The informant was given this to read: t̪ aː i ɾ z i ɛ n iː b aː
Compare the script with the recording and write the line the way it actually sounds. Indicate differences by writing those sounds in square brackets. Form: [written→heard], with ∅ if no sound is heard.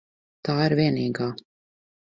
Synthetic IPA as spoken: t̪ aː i ɾ [z→v] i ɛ n iː [b→ɡ] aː